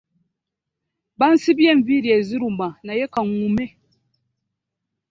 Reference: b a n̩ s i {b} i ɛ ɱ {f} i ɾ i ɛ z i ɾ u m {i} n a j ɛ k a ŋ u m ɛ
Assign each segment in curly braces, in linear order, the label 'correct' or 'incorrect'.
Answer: correct, incorrect, incorrect

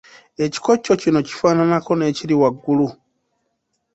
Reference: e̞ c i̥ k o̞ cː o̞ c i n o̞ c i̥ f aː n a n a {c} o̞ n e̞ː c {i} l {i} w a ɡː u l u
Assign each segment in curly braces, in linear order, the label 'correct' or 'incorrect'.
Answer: incorrect, correct, correct

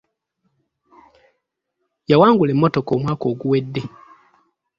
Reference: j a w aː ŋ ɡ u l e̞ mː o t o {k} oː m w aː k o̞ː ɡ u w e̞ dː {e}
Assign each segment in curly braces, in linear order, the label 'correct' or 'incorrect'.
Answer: correct, correct

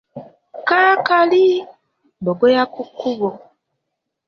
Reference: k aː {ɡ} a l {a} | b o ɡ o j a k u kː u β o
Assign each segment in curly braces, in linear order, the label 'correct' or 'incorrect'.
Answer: incorrect, incorrect

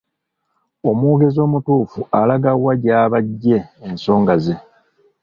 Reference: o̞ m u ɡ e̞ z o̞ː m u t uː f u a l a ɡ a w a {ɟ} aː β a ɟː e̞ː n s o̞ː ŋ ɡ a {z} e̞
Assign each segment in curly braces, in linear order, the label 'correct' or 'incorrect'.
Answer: correct, correct

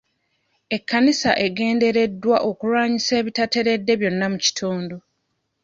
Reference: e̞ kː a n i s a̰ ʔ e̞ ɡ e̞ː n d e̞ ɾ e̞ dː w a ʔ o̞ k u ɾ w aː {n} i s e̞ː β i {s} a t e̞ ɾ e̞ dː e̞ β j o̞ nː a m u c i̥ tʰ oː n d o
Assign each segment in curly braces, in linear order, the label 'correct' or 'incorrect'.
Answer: incorrect, incorrect

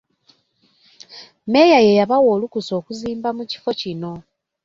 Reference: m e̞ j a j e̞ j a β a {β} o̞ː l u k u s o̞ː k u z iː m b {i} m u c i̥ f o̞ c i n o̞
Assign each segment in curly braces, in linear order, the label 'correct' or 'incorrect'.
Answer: incorrect, incorrect

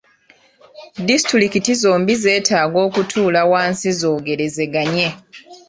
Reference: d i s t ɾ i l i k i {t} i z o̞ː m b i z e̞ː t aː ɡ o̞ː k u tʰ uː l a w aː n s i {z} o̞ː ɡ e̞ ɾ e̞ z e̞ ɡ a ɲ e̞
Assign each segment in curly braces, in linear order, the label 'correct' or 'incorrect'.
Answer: correct, correct

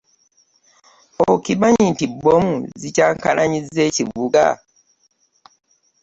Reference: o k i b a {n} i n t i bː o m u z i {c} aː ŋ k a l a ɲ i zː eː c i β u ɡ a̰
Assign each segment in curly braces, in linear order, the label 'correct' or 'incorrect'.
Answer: incorrect, correct

